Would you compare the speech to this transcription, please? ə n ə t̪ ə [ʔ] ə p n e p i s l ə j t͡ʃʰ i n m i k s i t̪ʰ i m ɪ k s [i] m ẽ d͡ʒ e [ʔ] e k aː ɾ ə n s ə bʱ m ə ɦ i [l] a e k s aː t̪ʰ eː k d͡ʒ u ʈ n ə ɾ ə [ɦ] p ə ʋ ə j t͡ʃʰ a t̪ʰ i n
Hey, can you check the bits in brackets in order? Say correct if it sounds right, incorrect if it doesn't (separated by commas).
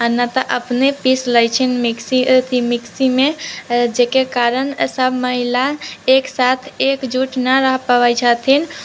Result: correct, correct, incorrect, correct, correct